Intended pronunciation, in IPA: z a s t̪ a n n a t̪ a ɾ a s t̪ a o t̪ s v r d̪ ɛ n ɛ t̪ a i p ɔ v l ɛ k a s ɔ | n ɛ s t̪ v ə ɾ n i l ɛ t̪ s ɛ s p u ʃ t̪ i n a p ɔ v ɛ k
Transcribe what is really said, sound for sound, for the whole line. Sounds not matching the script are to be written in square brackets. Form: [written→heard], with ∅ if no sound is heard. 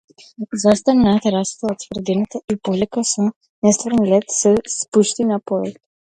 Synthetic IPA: z a s t̪ a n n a t̪ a ɾ a s t̪ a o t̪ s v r d̪ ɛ n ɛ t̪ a i p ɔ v l ɛ k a s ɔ | n ɛ s t̪ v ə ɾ n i l ɛ t̪ s ɛ s p u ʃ t̪ i n a p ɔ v ɛ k